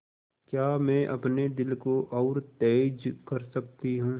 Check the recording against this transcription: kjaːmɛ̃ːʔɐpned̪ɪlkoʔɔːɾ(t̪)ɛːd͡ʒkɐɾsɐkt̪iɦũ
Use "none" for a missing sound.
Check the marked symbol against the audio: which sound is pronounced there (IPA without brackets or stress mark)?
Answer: t̪